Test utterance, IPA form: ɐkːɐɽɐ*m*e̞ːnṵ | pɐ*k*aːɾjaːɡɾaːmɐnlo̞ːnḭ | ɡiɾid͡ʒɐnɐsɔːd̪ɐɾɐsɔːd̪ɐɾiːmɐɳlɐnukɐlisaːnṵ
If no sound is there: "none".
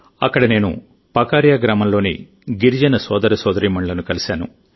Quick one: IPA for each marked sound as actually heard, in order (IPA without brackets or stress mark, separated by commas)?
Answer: n, k